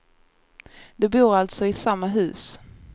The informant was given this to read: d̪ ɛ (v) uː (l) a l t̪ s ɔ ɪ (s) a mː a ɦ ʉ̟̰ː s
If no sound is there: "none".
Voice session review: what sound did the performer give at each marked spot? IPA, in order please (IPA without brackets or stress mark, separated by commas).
b, ɾ, s